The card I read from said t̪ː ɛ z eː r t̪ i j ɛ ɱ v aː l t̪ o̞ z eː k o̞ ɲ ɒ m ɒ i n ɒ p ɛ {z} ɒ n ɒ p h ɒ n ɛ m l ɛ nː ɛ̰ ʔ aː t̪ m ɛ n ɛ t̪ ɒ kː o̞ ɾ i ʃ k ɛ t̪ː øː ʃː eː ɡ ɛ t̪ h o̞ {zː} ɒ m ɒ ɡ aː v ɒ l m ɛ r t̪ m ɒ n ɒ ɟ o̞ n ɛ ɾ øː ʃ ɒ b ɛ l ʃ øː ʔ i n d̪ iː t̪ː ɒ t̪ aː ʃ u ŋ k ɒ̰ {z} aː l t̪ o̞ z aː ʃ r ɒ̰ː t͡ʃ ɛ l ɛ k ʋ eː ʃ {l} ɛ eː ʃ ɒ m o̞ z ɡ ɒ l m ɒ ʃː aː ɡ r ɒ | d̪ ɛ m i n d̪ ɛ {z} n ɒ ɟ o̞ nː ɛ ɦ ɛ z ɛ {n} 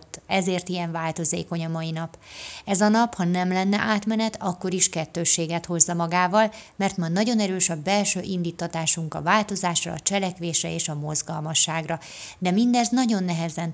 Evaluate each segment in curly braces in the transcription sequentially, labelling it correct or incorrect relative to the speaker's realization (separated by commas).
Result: correct, correct, incorrect, incorrect, correct, correct